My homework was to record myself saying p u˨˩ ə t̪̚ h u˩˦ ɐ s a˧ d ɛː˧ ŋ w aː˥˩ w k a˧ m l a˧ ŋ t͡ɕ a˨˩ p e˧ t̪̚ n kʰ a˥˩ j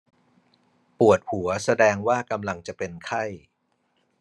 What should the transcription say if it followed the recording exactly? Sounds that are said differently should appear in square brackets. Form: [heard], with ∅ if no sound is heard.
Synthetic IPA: p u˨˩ ə t̪̚ h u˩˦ ɐ s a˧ d ɛː˧ ŋ w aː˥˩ [∅] k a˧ m l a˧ ŋ t͡ɕ a˨˩ p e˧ [∅] n kʰ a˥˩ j